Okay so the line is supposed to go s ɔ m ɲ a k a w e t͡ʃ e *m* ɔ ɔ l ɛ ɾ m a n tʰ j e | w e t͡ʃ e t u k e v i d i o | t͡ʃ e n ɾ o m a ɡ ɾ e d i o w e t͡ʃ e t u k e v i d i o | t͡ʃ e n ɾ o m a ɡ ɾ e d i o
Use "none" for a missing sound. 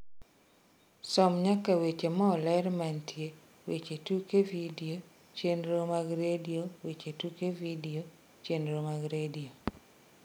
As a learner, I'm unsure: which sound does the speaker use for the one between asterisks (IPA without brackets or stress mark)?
m